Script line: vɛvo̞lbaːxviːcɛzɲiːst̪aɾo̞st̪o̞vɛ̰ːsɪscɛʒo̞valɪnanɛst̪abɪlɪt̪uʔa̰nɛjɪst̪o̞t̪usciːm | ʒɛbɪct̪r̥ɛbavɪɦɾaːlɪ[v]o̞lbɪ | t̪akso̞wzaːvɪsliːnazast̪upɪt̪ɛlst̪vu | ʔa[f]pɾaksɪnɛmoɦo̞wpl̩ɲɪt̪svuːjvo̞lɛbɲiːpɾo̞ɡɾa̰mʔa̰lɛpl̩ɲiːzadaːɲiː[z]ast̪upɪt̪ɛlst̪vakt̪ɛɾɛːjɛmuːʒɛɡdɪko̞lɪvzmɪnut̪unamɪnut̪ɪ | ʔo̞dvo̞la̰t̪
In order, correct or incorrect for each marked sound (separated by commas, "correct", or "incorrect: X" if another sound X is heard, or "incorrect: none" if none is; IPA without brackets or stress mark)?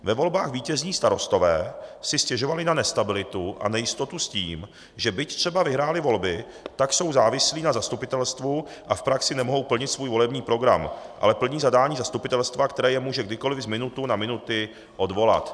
correct, correct, correct